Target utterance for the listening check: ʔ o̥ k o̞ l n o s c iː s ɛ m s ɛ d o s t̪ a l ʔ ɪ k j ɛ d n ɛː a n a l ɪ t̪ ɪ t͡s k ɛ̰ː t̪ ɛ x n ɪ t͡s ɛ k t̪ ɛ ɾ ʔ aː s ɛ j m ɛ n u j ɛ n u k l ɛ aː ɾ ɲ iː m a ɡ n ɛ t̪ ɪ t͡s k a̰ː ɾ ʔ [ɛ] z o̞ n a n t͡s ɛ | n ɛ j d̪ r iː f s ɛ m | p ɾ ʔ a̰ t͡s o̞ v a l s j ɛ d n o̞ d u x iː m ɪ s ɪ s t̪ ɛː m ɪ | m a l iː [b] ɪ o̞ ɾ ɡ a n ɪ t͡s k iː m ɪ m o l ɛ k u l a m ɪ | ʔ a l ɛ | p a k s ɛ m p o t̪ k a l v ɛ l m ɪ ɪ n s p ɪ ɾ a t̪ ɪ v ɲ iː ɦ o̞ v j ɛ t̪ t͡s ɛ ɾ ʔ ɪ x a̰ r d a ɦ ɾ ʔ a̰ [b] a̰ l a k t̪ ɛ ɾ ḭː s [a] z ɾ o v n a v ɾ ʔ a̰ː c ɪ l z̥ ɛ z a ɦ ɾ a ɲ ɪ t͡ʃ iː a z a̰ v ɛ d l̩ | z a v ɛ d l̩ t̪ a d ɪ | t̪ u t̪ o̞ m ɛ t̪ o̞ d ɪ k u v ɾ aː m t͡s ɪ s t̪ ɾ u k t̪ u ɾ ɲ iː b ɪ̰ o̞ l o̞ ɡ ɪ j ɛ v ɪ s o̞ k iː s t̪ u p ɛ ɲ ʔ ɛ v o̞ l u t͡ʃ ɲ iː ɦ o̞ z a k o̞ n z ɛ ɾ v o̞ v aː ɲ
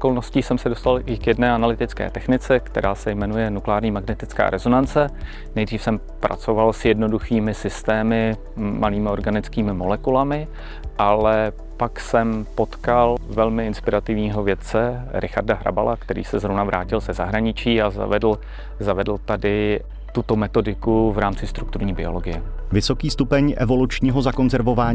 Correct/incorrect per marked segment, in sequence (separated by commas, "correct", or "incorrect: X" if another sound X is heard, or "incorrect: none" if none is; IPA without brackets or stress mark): correct, incorrect: m, correct, incorrect: ɛ